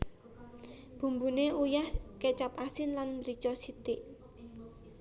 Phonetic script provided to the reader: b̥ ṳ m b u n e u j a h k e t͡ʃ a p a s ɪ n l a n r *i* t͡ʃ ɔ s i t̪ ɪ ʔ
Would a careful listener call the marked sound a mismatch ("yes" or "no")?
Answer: no